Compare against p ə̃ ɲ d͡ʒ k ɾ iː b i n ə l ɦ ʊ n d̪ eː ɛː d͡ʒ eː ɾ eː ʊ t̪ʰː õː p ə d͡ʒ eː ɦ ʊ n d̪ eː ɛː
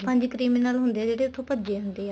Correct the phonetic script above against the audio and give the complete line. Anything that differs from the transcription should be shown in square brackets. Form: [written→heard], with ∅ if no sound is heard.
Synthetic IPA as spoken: p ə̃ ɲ d͡ʒ k ɾ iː [b→m] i n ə l ɦ ʊ n d̪ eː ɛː d͡ʒ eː [ɾ→ɽ] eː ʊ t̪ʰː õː p ə d͡ʒ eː ɦ ʊ n d̪ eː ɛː